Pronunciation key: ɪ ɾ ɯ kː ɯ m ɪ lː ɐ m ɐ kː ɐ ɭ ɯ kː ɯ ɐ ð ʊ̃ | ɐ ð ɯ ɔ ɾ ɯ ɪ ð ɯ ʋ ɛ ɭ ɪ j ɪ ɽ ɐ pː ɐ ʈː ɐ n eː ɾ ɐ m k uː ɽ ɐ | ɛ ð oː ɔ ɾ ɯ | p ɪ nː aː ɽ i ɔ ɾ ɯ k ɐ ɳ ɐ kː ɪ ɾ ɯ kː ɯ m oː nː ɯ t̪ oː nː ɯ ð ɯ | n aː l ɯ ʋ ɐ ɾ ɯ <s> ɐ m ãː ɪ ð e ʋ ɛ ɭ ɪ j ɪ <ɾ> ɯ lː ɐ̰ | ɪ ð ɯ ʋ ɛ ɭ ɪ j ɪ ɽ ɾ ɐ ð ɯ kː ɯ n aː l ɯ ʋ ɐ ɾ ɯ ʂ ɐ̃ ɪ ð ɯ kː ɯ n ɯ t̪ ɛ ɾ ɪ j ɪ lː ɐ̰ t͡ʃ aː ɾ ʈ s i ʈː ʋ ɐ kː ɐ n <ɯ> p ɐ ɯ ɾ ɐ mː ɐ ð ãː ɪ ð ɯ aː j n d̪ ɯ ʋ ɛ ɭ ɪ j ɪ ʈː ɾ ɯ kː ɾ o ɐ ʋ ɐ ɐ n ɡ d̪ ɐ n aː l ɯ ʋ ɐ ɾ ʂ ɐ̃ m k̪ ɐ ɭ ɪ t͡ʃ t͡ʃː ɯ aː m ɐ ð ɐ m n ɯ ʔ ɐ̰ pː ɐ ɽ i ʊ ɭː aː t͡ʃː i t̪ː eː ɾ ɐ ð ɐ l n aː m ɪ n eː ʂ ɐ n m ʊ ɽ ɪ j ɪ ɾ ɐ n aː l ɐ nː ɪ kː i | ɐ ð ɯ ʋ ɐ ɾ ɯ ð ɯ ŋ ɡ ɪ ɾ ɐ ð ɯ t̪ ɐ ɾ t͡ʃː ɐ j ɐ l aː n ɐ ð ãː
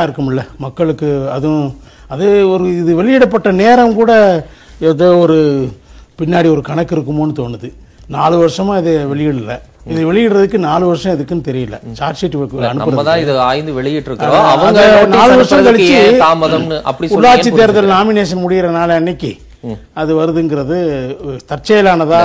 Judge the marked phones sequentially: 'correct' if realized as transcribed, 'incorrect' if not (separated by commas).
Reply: incorrect, incorrect, correct